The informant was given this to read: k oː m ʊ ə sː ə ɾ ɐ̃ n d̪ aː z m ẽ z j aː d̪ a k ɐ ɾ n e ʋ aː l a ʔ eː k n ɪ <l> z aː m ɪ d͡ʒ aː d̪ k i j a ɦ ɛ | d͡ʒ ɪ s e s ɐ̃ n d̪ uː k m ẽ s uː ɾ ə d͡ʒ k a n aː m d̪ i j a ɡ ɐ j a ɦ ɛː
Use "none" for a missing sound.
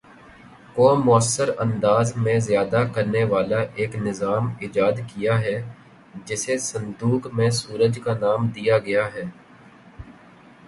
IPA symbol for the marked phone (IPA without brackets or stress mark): none